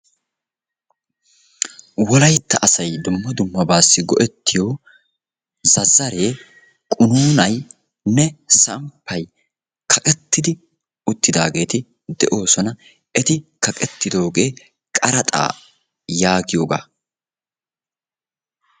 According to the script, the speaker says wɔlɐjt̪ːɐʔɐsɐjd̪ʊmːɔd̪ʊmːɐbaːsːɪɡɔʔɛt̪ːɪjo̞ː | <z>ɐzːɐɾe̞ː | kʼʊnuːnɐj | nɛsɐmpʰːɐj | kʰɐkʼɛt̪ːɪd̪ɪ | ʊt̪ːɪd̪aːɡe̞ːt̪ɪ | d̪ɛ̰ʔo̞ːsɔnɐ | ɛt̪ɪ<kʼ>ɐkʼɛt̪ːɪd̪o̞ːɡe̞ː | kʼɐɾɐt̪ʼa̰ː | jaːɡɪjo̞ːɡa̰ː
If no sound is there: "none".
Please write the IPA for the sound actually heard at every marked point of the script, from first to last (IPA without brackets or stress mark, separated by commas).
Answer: z, k